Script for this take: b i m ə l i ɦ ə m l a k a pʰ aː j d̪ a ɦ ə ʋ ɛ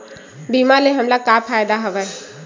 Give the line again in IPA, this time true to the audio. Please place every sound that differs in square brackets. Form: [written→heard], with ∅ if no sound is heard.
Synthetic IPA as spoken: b i m [ə→a] l [i→e] ɦ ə m l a k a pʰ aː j d̪ a ɦ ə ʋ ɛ